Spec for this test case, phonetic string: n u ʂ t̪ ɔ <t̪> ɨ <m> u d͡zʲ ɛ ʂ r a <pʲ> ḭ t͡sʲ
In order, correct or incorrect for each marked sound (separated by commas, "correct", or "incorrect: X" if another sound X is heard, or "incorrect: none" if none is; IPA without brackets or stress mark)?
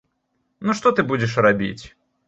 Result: correct, incorrect: b, incorrect: bʲ